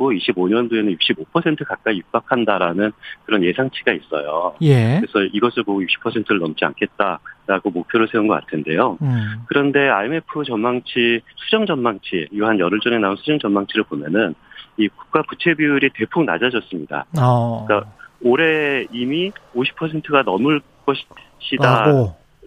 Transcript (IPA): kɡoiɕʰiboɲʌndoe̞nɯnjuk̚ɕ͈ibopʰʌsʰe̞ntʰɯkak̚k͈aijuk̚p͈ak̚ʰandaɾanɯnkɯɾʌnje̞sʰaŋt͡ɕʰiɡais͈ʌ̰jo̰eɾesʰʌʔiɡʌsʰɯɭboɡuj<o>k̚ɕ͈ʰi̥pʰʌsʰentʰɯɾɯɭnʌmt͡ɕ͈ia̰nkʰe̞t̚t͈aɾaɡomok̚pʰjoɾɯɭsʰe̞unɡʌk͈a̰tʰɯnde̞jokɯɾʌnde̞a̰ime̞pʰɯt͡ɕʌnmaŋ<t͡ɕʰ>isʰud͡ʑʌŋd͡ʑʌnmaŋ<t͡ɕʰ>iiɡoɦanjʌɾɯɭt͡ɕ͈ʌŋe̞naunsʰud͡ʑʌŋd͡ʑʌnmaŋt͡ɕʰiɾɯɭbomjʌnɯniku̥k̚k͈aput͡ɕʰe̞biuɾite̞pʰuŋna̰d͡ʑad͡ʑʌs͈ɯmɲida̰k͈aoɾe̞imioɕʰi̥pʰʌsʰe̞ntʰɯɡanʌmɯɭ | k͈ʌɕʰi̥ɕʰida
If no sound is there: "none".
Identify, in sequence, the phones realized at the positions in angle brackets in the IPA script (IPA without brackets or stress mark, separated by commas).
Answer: u, t͡ɕʰ, t͡ɕʰ